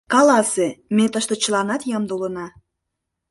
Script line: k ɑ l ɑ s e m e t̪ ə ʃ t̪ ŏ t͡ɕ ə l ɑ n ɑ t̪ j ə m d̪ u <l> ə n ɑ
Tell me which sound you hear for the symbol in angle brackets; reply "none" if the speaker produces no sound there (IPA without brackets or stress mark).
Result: l